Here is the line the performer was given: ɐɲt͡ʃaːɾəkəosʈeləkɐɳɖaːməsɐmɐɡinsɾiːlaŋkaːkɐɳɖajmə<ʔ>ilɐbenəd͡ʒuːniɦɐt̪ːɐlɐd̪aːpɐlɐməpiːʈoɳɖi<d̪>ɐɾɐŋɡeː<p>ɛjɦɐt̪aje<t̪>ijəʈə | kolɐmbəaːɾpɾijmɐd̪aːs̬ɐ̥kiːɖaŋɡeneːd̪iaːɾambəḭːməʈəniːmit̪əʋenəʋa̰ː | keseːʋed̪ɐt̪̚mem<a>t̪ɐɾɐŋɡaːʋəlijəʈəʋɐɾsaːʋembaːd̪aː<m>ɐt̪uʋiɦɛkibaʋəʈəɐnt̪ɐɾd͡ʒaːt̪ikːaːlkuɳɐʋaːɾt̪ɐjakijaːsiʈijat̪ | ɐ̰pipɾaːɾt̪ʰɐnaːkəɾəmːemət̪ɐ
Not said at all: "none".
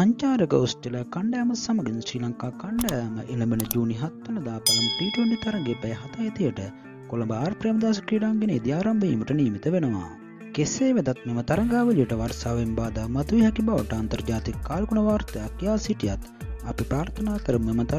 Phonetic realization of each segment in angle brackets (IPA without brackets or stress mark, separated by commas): ʔ, t̪, p, t̪, ə, m